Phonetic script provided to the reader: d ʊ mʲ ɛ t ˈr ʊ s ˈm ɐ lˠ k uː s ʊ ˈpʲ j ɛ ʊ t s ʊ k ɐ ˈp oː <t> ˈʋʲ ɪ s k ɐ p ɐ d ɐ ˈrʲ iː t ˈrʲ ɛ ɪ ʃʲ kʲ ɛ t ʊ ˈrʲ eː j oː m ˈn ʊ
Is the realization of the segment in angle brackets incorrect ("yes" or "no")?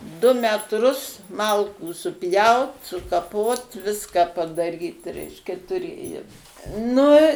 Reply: no